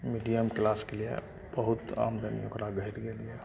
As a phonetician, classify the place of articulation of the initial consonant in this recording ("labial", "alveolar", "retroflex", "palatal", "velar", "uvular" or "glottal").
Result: labial